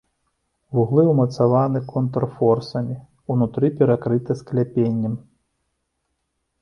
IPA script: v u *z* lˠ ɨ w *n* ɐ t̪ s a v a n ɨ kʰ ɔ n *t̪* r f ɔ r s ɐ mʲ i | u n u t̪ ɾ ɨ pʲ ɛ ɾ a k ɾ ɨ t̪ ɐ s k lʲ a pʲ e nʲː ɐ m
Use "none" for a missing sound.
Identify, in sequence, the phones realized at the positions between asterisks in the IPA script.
ɣ, m, t̪

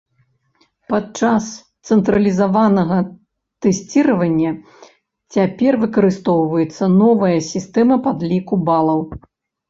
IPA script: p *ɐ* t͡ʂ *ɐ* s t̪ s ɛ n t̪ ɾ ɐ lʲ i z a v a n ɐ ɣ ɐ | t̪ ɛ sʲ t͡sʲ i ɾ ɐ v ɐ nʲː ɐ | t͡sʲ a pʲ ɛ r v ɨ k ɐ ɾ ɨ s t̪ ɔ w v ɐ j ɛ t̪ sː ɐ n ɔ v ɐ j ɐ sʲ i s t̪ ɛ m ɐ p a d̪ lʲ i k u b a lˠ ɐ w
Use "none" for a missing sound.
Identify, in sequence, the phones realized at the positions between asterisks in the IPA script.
a, a

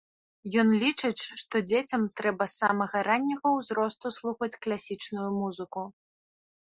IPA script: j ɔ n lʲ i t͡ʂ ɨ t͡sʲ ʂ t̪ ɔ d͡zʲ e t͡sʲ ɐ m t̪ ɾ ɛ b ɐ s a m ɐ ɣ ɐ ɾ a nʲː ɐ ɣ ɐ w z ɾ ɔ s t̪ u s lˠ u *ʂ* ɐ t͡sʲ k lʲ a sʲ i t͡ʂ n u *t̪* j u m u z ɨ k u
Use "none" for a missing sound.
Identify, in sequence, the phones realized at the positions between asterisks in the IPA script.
x, none

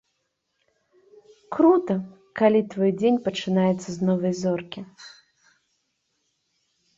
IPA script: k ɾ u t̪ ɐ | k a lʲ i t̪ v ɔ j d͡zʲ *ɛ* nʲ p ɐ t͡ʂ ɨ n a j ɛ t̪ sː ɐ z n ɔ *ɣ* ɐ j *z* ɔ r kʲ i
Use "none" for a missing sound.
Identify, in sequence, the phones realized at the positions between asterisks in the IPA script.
e, v, z

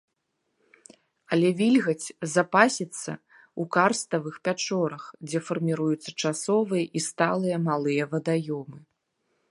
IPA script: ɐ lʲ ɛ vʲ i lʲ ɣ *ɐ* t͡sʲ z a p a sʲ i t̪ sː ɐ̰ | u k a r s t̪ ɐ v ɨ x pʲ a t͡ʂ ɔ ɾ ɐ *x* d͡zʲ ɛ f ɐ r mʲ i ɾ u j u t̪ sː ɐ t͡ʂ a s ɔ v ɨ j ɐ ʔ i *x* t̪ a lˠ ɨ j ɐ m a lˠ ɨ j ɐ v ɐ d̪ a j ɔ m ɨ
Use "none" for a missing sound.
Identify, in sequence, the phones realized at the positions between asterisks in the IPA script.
ɐ, x, s

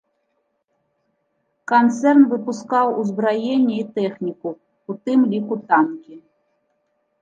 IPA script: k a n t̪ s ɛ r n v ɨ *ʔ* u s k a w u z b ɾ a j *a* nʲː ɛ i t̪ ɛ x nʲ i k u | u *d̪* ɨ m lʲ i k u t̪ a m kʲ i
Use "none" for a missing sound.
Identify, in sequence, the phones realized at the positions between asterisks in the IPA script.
p, e, t̪

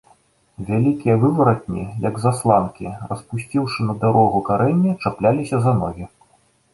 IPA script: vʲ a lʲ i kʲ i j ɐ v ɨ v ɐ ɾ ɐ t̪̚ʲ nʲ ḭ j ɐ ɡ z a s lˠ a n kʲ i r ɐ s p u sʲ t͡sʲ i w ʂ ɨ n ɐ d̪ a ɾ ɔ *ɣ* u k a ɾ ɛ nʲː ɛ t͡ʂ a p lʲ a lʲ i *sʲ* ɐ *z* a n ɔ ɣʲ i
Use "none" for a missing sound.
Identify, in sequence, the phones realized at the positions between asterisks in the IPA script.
ɣ, sʲ, z

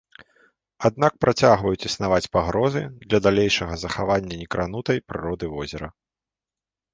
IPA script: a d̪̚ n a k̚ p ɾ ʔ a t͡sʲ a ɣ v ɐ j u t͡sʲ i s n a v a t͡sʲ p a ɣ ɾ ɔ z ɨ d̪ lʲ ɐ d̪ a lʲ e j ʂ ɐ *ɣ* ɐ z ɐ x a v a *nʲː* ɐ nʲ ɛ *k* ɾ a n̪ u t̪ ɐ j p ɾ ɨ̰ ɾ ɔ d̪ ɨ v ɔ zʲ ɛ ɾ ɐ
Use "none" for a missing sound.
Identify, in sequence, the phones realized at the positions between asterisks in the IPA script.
ɣ, nʲː, k

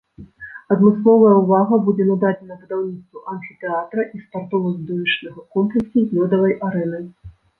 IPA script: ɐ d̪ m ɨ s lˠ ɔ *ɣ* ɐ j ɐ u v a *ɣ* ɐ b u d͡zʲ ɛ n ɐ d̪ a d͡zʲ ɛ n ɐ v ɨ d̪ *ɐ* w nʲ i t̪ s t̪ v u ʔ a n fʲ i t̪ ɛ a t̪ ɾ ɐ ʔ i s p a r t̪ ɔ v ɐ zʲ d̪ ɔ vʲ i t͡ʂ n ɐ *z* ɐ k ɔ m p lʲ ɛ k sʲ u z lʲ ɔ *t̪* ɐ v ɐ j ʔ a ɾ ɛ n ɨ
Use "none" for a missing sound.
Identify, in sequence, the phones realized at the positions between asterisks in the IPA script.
v, ɣ, a, ɣ, d̪

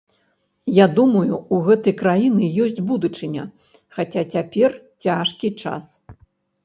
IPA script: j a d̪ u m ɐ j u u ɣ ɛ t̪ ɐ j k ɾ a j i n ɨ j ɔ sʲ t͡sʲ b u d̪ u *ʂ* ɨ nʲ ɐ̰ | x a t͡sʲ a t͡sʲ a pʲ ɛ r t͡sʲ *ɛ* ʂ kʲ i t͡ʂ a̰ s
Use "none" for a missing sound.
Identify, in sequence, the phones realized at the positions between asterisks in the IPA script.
t͡ʂ, a

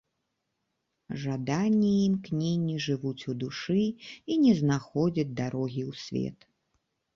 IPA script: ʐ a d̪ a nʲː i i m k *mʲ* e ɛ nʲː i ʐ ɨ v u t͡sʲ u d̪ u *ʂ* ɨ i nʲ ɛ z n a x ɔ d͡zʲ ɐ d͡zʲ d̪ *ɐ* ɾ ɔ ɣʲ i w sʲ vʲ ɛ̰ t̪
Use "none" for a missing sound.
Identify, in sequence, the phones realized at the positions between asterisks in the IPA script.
nʲ, ʂ, a

